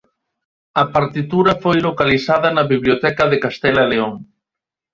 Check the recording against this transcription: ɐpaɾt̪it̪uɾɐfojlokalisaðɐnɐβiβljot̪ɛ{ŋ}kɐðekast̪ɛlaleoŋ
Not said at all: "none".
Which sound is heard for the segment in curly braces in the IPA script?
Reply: none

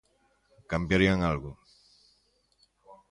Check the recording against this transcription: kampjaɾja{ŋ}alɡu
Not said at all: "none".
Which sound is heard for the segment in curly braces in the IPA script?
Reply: ŋ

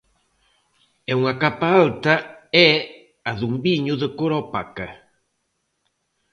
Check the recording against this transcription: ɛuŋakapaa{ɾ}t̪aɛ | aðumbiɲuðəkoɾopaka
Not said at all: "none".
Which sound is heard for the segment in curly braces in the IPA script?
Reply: l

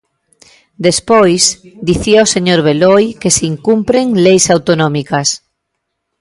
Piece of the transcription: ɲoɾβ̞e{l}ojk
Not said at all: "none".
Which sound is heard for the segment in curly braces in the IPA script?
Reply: l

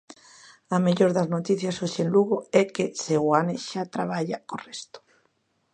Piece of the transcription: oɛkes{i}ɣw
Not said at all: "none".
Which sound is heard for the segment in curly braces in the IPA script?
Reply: e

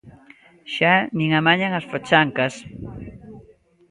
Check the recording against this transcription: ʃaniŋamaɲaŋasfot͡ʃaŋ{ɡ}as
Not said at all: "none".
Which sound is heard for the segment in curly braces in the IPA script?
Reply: k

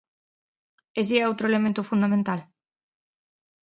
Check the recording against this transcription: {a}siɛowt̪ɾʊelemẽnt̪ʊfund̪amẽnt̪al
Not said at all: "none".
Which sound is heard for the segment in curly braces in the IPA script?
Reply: e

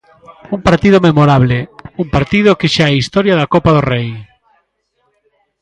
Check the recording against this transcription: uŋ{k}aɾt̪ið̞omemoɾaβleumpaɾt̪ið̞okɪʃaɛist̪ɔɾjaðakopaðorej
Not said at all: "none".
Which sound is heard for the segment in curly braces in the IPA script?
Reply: p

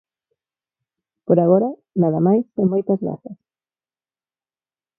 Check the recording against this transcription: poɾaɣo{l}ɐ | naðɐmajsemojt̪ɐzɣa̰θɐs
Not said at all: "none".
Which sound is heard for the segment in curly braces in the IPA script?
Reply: ɾ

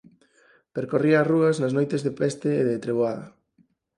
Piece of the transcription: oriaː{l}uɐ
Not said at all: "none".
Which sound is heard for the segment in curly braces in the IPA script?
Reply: r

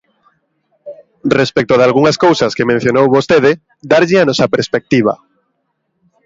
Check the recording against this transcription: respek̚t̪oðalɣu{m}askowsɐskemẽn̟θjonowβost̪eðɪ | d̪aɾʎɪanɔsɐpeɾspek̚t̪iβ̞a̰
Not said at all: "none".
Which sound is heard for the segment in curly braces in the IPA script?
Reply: ŋ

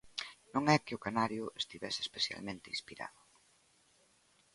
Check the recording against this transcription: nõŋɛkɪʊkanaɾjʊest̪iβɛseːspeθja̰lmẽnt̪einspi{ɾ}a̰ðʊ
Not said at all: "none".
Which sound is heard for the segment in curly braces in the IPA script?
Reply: ɾ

